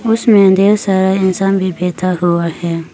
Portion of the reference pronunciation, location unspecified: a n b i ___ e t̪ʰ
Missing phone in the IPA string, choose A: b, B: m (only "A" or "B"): A